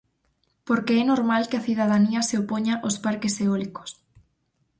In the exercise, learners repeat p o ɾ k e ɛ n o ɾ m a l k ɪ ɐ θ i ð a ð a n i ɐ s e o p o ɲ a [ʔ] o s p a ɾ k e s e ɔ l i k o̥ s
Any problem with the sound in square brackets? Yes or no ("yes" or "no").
no